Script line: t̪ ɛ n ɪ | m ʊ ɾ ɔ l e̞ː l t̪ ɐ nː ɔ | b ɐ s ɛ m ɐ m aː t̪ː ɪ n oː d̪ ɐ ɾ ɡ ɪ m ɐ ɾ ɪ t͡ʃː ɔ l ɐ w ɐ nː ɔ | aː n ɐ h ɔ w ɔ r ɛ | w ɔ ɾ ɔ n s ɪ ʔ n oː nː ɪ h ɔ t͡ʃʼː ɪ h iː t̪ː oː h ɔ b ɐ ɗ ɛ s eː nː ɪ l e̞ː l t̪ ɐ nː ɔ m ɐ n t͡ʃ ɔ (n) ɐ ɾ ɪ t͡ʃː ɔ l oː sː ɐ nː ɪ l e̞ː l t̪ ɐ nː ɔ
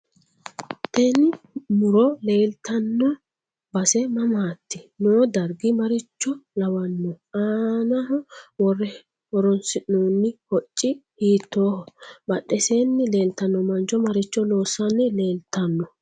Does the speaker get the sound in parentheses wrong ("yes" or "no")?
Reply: yes